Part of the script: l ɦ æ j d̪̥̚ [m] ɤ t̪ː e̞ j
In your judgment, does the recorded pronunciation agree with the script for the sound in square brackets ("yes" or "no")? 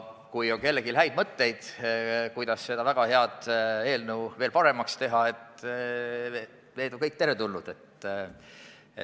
yes